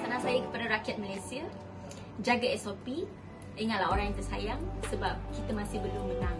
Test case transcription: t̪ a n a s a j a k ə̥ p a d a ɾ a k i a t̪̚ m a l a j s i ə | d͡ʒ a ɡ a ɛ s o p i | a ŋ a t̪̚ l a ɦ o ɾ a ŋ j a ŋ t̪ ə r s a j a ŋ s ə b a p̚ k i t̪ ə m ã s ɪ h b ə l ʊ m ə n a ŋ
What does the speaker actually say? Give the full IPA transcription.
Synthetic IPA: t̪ a n a s a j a k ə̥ p a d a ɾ a k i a t̪̚ m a l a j s i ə | d͡ʒ a ɡ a ɛ s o p i | i ŋ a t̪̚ l a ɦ o ɾ a ŋ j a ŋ t̪ ə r s a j a ŋ s ə b a p̚ k i t̪ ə m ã s ɪ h b ə l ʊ m ə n a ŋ